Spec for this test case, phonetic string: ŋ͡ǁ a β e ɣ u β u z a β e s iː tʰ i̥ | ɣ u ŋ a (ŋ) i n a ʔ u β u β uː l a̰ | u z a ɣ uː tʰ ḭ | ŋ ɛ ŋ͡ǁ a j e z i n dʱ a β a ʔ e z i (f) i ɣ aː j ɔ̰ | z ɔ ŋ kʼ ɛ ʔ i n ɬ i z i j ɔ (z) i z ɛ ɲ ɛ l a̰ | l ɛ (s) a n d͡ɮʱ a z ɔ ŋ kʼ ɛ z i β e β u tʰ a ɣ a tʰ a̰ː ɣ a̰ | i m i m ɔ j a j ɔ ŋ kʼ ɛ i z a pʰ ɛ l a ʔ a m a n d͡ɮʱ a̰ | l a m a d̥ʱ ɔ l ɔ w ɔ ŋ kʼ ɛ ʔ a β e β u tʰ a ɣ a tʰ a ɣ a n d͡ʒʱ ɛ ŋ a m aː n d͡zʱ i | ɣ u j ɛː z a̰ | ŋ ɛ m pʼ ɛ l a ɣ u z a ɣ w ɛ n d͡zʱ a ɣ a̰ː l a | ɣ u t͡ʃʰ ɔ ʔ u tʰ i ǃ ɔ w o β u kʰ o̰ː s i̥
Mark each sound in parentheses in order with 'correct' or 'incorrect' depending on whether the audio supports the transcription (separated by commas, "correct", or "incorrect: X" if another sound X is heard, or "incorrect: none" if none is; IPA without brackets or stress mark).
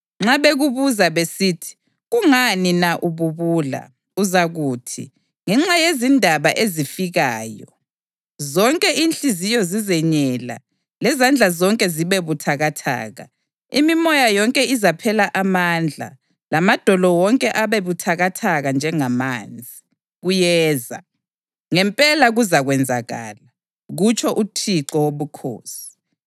incorrect: n, correct, correct, incorrect: z